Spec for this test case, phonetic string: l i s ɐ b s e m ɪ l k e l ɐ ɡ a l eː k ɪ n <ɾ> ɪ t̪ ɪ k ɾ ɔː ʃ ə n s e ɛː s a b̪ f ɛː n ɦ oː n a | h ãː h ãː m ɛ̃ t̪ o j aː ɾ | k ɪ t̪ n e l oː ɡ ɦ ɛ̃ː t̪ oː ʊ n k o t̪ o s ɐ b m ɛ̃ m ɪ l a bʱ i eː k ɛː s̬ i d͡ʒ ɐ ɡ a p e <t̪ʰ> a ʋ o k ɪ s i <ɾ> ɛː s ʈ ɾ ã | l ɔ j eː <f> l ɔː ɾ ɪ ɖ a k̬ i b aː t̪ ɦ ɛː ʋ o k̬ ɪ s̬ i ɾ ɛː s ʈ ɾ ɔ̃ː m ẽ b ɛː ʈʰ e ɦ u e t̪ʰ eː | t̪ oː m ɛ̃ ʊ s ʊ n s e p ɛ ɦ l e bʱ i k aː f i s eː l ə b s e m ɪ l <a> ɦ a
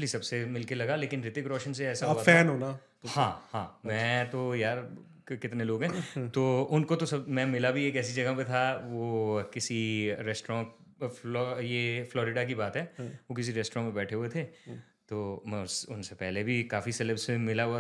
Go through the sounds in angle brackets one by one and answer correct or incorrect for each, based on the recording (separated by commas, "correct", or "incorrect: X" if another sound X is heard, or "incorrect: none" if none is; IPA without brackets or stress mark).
correct, correct, correct, correct, correct